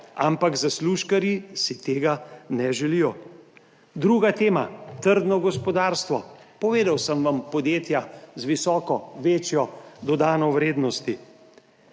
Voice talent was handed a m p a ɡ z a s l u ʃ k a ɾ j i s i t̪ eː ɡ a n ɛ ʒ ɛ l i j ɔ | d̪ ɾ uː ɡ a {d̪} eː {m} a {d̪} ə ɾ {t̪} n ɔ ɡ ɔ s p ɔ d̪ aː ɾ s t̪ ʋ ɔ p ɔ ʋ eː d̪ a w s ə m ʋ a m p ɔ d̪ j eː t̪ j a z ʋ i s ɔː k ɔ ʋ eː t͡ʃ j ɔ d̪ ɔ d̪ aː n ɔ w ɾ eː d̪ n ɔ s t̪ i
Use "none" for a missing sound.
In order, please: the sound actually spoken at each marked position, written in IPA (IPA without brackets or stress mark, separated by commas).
t̪, m, t̪, d̪